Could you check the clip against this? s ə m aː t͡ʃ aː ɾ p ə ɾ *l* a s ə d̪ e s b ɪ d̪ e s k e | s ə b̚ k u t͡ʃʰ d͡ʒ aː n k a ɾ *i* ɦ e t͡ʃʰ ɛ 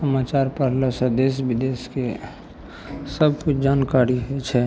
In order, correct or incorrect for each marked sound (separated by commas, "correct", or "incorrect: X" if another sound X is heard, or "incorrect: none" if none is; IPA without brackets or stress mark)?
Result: correct, correct